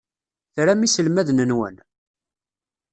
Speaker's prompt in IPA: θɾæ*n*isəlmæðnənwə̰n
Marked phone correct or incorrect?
incorrect